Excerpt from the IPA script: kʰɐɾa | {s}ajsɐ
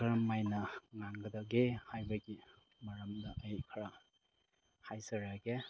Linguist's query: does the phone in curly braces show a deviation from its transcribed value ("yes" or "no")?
yes